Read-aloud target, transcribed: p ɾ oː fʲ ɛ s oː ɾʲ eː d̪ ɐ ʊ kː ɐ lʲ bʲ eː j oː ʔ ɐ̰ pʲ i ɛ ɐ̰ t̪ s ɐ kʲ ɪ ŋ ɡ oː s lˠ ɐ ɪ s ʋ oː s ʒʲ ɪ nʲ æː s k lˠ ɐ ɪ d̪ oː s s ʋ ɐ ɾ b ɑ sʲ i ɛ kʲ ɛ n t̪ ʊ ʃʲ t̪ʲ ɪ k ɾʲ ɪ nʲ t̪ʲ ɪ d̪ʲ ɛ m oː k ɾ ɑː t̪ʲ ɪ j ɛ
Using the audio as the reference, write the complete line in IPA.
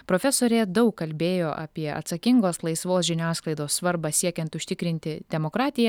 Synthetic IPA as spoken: p ɾ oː fʲ ɛ s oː ɾʲ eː d̪ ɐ ʊ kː ɐ lʲ bʲ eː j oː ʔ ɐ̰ pʲ i ɛ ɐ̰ t̪ s ɐ kʲ ɪ ŋ ɡ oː s lˠ ɐ ɪ s ʋ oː s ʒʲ ɪ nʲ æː s k lˠ ɐ ɪ d̪ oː s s ʋ ɐ ɾ b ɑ sʲ i ɛ kʲ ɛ n t̪ ʊ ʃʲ t̪ʲ ɪ k ɾʲ ɪ nʲ t̪ʲ ɪ d̪ʲ ɛ m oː k ɾ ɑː t̪ʲ ɪ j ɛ